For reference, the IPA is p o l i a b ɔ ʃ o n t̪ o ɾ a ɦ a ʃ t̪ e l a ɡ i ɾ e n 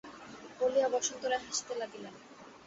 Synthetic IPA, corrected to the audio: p o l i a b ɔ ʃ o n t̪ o ɾ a ɦ a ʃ t̪ e l a ɡ i l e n